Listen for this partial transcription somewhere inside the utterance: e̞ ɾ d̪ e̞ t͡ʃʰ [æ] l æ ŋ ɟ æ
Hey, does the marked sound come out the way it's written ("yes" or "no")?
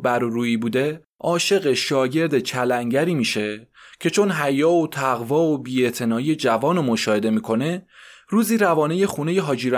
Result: yes